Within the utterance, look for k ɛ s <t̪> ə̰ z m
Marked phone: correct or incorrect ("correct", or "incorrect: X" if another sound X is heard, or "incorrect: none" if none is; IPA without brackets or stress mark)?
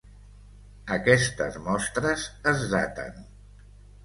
correct